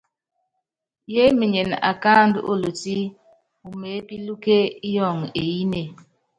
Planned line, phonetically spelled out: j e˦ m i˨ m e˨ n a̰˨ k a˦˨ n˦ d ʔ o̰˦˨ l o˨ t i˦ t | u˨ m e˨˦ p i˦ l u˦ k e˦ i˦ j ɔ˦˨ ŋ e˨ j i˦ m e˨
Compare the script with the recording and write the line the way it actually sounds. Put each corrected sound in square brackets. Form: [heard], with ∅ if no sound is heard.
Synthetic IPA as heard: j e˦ m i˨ [ɲ] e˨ n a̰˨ k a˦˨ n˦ d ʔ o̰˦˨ l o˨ t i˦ [∅] | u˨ m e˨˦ p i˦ l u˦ k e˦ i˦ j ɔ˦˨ ŋ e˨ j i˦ [n] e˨